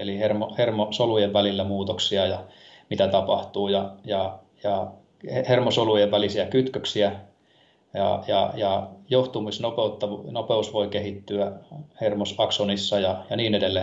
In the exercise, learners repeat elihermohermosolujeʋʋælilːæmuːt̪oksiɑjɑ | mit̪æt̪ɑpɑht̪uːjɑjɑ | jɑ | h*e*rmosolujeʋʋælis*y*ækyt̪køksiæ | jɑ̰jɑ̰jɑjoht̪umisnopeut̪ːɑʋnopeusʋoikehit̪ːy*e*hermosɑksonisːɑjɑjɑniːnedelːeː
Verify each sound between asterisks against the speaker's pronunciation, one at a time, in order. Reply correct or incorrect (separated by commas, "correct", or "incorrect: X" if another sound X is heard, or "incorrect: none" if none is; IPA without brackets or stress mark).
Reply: correct, incorrect: i, incorrect: æ